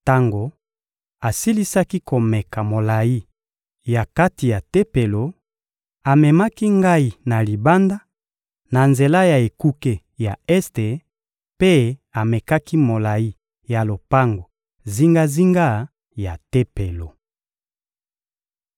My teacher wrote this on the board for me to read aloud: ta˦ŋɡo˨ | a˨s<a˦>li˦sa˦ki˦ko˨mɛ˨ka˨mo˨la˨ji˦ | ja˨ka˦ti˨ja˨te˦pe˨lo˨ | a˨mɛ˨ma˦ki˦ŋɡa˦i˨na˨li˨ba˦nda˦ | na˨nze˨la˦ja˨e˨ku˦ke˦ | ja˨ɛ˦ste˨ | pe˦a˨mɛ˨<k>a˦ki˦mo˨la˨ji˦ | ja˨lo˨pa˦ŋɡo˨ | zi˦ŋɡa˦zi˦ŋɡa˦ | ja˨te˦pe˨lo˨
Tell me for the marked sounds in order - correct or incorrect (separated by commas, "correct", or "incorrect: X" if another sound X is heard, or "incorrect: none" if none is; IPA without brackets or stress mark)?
incorrect: i˦, correct